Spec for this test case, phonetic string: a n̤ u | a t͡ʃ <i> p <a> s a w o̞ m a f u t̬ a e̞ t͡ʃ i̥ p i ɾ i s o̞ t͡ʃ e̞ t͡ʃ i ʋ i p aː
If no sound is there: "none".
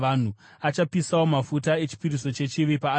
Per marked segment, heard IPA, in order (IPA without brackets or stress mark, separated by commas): a, i